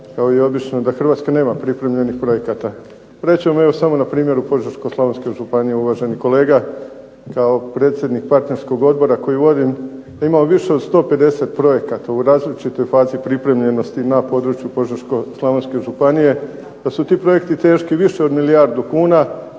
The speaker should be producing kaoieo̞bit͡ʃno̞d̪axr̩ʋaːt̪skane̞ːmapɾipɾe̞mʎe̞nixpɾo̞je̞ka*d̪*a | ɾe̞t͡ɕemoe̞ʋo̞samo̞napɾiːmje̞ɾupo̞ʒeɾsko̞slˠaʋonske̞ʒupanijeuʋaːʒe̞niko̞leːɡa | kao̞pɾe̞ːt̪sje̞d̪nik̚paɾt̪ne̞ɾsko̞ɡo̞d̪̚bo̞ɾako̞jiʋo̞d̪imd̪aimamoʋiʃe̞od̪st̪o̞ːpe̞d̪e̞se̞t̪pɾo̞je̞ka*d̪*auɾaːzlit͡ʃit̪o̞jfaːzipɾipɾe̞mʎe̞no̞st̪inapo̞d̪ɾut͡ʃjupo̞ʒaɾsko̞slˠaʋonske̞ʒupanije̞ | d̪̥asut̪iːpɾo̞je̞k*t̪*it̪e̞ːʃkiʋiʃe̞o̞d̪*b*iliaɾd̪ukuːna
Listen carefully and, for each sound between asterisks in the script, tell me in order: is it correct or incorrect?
incorrect: t̪, incorrect: t̪, correct, incorrect: m

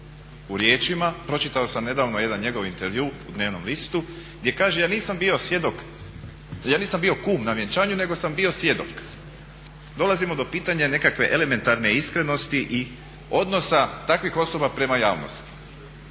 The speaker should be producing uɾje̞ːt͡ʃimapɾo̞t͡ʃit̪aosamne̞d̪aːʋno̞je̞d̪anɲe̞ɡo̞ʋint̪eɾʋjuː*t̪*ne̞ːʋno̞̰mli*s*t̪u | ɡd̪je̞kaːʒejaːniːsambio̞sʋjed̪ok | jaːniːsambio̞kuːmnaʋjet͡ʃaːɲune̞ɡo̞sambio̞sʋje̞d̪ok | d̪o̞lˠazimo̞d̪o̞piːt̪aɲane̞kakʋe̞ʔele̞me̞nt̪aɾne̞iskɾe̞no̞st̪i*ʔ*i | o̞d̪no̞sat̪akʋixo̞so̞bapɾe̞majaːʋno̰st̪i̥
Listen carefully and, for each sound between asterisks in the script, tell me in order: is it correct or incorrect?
incorrect: d̪, correct, correct

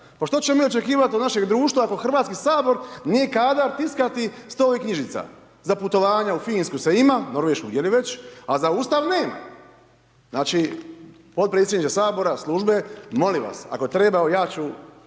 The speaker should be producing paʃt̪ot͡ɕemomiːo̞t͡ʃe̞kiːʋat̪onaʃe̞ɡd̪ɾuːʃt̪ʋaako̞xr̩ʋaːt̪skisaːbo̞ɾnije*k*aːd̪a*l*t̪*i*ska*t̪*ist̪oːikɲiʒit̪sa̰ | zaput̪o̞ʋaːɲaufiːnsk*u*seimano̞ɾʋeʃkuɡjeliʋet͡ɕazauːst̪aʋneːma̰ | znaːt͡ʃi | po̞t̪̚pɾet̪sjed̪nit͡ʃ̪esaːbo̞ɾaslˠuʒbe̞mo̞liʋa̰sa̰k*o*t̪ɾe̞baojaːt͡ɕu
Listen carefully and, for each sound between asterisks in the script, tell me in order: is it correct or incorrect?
correct, incorrect: ɾ, correct, correct, correct, correct

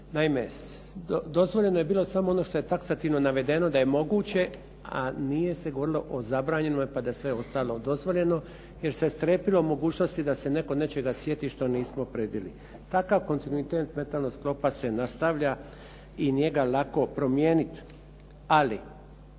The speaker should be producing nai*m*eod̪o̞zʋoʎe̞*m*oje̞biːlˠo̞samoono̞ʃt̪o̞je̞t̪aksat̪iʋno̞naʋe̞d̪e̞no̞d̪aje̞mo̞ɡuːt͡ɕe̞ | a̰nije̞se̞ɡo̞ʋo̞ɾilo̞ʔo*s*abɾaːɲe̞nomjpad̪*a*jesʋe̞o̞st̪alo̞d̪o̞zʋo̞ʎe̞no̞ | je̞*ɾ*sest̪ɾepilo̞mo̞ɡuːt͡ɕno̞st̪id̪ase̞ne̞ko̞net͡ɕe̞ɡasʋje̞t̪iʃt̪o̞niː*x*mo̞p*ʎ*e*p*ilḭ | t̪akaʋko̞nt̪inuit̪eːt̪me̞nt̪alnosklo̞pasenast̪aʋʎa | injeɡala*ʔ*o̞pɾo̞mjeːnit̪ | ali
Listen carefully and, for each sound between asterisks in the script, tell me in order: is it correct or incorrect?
correct, incorrect: n, incorrect: z, correct, correct, incorrect: s, incorrect: ɾ, incorrect: b, incorrect: k

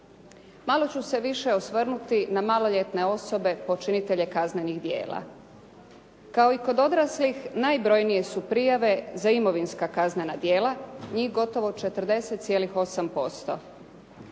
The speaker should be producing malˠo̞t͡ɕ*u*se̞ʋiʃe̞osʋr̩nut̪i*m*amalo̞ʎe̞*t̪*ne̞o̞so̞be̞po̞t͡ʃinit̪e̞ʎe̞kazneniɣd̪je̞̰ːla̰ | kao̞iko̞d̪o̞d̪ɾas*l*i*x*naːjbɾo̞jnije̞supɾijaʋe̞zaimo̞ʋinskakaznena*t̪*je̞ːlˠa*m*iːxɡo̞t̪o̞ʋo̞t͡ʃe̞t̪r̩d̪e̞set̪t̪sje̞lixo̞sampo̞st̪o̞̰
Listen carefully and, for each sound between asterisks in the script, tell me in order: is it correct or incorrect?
correct, incorrect: n, correct, correct, correct, incorrect: d̪, incorrect: ɲ

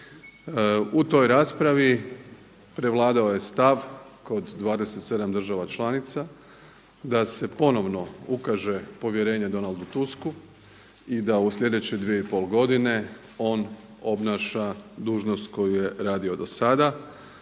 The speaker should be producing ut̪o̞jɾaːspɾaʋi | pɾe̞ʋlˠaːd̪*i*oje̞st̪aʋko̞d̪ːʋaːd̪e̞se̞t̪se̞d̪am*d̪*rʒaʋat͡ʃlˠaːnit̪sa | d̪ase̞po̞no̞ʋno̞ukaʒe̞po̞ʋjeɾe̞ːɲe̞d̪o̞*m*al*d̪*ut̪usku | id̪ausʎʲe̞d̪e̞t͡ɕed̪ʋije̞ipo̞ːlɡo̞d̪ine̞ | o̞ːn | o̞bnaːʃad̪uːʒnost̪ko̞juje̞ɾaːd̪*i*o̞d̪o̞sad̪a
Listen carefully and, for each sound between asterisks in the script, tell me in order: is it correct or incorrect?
incorrect: a, correct, incorrect: n, correct, correct

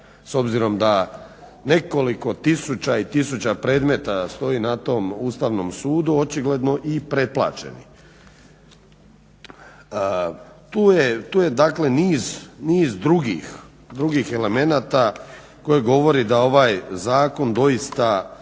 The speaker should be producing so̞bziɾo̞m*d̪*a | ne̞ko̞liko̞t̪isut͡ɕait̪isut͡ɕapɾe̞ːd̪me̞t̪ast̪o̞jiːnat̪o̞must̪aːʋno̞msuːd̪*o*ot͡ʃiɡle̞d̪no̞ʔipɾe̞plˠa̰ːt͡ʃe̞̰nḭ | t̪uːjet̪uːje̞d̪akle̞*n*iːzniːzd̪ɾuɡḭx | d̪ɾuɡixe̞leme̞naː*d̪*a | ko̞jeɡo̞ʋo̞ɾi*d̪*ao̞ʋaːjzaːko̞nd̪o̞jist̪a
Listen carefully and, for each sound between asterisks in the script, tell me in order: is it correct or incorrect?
correct, incorrect: u, correct, incorrect: t̪, correct

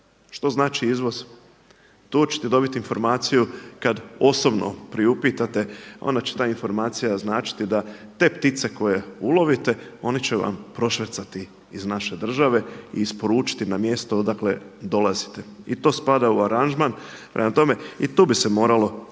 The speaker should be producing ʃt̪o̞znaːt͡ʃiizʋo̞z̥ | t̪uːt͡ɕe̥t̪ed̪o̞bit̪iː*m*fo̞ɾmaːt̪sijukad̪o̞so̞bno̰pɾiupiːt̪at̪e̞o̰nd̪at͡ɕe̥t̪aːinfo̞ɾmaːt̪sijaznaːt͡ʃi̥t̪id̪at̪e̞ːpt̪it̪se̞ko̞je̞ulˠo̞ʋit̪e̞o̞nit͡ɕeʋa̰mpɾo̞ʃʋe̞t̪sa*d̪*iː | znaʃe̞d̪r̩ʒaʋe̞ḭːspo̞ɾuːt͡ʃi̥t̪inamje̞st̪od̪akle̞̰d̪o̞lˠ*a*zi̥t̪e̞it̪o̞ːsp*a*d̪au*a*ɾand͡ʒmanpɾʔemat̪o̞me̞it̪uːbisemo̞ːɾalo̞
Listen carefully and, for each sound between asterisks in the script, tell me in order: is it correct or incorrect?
incorrect: n, incorrect: t̪, correct, correct, correct

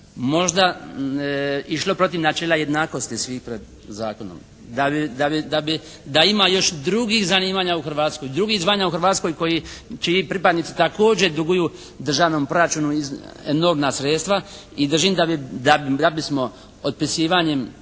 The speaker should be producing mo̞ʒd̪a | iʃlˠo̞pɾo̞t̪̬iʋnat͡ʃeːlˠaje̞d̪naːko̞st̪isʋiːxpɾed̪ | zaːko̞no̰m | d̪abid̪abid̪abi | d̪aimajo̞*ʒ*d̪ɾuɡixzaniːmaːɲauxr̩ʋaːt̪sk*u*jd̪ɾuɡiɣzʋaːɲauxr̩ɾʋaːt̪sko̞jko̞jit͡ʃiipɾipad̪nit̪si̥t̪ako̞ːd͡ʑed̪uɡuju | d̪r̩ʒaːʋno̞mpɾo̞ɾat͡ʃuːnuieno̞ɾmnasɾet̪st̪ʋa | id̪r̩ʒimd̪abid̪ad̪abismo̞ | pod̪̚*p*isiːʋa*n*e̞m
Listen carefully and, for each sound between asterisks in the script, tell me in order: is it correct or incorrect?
incorrect: ʃ, incorrect: o, correct, incorrect: ɲ

